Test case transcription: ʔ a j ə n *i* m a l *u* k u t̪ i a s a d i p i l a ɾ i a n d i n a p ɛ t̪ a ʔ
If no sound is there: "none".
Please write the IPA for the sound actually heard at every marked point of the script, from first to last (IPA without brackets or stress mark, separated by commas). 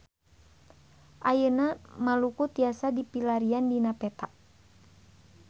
a, u